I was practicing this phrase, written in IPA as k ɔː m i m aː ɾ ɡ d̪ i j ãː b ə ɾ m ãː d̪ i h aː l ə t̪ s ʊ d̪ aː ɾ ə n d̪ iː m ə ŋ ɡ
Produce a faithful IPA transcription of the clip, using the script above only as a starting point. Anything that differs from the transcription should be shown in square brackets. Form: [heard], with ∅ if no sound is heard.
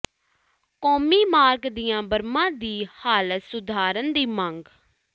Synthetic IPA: k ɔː m [iː] m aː ɾ ɡ d̪ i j ãː b ə ɾ m ãː d̪ [iː] h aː l ə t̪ s ʊ d̪ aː ɾ ə n d̪ iː m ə ŋ ɡ